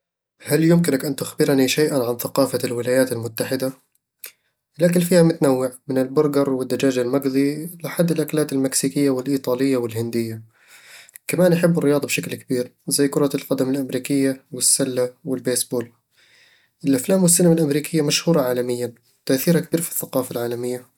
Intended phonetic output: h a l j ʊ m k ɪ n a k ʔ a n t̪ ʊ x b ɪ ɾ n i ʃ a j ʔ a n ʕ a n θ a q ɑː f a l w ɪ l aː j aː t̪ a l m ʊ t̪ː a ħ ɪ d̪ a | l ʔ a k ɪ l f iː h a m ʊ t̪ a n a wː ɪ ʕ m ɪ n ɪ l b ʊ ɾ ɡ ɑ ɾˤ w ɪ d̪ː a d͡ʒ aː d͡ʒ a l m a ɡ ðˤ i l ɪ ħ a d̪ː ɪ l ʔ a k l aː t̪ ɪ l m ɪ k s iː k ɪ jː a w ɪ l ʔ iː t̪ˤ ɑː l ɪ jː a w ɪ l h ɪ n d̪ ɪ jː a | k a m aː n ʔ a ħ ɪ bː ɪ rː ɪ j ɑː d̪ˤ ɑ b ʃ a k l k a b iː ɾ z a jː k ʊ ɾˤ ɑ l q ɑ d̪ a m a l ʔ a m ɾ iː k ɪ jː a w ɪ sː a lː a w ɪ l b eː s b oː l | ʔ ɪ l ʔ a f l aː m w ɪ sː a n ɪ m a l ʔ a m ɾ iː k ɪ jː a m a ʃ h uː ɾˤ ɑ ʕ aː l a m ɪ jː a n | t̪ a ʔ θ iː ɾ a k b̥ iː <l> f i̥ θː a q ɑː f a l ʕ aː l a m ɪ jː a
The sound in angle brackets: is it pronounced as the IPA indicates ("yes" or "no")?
no